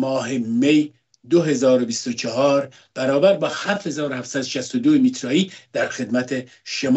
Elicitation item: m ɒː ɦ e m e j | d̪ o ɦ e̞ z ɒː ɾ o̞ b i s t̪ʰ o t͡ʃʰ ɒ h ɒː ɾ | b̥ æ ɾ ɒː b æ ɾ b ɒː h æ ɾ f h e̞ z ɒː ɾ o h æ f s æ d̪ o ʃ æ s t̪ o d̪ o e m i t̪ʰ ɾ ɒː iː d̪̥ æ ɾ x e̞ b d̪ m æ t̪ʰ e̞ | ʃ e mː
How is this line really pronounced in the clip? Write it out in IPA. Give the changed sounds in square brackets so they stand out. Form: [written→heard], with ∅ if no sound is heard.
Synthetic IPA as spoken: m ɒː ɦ e m e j | d̪ o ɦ e̞ z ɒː ɾ o̞ b i s [t̪ʰ→t̪] o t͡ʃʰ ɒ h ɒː ɾ | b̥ æ ɾ ɒː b æ ɾ b ɒː h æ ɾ f h e̞ z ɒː ɾ o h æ f s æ d̪ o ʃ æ s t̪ o d̪ o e m i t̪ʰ ɾ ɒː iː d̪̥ æ ɾ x e̞ [b→∅] d̪ m æ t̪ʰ e̞ | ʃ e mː